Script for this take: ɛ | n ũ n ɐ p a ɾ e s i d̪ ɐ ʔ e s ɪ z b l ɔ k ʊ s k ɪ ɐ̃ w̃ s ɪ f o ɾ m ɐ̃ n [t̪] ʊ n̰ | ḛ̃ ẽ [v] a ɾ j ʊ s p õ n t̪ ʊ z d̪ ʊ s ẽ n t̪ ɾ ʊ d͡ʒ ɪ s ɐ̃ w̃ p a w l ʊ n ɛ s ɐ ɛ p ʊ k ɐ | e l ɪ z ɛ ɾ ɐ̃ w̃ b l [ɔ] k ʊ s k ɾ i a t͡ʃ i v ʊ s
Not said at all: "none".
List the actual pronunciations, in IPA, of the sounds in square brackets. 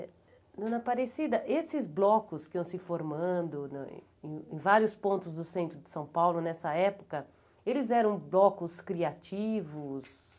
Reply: d̪, v, ɔ

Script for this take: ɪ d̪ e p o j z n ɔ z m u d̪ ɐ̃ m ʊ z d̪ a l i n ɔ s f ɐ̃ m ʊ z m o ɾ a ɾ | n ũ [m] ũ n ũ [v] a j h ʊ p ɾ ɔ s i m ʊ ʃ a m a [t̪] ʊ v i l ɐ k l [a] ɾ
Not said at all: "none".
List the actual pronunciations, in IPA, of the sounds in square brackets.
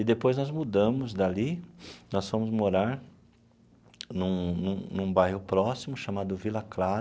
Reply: n, b, d̪, a

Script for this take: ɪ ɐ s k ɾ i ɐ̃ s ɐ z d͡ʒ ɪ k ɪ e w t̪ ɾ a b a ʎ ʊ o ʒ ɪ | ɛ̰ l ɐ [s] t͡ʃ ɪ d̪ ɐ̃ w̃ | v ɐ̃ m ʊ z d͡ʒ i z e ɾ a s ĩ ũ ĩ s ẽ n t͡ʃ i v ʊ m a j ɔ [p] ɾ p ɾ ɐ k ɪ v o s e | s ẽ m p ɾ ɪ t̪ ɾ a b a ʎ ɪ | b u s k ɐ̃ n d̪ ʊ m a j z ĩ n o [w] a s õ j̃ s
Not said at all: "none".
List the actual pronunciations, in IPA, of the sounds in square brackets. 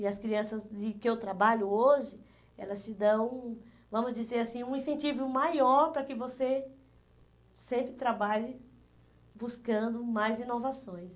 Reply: s, none, v

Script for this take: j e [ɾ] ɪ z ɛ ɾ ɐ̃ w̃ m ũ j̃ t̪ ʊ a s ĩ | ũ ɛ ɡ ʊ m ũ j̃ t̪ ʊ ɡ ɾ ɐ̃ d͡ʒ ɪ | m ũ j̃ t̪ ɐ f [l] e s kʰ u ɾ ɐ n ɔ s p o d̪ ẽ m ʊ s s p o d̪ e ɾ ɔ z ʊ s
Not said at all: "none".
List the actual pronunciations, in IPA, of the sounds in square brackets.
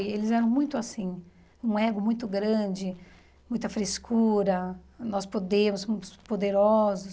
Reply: l, ɾ

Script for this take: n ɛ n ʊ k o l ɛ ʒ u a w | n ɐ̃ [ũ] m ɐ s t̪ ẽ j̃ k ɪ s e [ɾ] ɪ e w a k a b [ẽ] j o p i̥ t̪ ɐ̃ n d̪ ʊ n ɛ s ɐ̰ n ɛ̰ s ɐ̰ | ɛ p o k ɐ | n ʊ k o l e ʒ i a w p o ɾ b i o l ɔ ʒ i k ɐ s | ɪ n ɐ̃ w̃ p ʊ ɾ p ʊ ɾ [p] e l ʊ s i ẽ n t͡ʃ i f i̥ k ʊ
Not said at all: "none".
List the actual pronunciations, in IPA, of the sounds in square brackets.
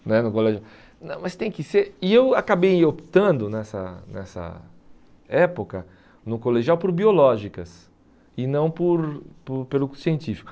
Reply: w̃, ɾ, e, p

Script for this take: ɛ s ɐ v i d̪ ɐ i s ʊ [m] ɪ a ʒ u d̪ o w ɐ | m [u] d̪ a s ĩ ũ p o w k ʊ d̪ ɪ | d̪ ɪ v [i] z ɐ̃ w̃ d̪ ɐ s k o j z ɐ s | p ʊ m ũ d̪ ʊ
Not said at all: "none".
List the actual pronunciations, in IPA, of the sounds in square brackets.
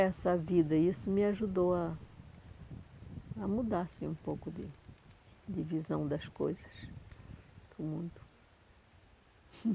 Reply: m, u, i

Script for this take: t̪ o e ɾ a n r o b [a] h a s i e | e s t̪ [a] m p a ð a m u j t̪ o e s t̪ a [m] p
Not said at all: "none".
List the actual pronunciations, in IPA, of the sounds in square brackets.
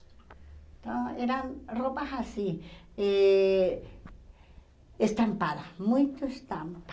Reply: a, a, m

